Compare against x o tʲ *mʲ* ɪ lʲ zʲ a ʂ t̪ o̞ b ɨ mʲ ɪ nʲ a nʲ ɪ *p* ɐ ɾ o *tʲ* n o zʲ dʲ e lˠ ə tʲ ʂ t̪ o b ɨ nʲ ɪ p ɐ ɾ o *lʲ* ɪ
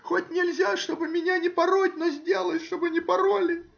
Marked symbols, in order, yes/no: no, yes, yes, yes

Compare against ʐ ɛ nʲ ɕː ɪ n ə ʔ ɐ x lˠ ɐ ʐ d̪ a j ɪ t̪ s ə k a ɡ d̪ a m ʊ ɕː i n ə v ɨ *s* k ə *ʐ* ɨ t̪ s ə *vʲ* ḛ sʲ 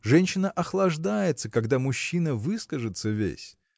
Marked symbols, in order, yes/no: yes, yes, yes

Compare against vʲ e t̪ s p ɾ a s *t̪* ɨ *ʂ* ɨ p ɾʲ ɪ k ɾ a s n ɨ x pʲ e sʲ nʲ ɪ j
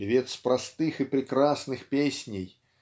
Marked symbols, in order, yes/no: yes, no

